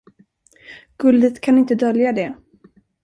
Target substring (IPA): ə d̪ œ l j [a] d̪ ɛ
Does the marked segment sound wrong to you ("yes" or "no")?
no